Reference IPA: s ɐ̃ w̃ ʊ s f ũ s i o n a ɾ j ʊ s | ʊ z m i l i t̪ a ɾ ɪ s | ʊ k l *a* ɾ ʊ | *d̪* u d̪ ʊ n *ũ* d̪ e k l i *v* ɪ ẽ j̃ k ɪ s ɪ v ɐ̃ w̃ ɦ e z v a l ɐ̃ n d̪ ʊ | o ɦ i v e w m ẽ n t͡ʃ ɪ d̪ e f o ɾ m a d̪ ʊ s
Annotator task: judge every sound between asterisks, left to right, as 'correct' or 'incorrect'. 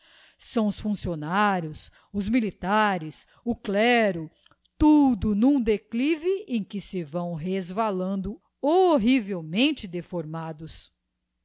incorrect, incorrect, correct, correct

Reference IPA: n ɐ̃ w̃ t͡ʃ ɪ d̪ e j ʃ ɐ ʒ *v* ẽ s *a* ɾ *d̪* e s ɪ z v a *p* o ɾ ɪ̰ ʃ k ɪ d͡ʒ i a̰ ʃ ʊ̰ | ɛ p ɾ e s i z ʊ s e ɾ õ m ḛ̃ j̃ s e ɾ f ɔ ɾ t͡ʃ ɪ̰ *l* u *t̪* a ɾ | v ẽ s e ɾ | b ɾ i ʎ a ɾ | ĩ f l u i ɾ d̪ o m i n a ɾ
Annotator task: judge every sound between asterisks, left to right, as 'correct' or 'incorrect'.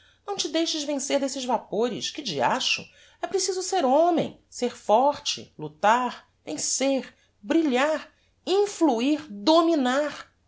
correct, incorrect, correct, correct, correct, correct

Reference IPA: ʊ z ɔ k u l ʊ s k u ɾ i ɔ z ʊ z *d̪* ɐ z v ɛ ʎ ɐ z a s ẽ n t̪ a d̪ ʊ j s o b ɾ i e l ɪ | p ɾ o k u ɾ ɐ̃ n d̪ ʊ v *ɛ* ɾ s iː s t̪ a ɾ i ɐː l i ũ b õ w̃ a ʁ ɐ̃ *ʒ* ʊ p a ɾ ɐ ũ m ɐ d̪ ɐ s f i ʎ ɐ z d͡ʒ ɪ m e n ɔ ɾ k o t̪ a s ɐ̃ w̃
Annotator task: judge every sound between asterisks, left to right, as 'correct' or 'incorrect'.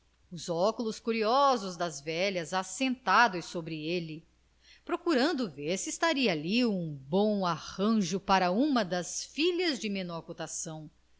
correct, incorrect, correct

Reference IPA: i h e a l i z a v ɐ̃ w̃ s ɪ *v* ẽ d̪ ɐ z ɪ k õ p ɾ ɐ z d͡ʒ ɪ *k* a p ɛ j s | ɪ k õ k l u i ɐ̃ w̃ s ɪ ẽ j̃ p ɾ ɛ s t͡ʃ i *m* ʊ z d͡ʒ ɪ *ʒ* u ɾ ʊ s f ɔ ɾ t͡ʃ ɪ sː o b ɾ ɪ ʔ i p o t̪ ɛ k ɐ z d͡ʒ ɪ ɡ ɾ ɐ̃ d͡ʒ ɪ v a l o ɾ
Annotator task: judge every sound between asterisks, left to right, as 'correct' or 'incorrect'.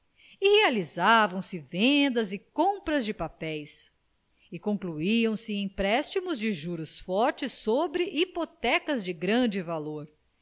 correct, incorrect, correct, correct

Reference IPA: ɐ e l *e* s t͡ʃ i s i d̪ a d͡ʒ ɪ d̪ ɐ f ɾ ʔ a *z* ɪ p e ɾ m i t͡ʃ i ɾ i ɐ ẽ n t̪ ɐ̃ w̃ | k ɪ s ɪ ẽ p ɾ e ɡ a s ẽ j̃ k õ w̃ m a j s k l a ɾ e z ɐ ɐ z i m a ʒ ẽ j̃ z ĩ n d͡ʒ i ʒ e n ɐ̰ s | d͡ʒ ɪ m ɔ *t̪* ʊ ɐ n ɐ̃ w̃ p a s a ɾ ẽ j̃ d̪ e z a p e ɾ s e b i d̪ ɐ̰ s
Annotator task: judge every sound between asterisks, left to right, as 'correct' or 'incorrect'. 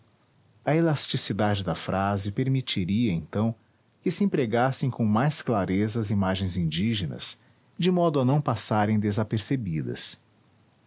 incorrect, correct, incorrect

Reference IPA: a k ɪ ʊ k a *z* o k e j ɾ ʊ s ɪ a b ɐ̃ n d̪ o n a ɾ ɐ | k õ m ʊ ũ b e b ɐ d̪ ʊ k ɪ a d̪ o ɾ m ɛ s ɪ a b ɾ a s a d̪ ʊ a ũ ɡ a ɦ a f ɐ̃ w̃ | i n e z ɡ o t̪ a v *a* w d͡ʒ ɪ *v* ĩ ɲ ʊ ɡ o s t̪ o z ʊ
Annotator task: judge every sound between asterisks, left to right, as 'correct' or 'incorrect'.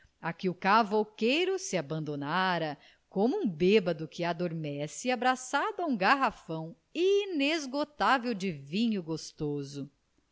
incorrect, incorrect, correct

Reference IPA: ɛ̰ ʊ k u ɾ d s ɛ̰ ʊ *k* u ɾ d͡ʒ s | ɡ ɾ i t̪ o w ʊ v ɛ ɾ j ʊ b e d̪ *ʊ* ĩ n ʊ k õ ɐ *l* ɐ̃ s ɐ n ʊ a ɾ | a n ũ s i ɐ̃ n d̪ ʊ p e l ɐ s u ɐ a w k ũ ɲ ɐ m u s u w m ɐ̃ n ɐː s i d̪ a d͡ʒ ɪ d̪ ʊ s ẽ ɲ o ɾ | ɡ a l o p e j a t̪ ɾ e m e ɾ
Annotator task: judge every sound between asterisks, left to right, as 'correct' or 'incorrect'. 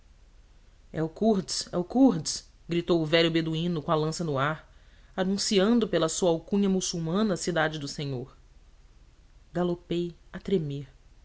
correct, incorrect, correct

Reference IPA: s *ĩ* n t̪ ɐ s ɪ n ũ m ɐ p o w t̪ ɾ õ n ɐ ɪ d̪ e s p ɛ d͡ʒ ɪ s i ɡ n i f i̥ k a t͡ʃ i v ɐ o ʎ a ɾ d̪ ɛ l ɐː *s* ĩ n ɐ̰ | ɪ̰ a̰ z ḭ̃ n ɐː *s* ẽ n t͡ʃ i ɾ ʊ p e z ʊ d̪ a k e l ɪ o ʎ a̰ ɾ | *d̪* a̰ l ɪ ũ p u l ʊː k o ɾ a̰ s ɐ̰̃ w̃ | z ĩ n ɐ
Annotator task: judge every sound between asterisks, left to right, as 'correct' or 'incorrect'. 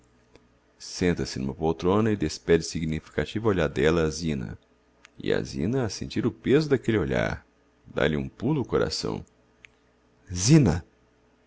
incorrect, incorrect, correct, correct

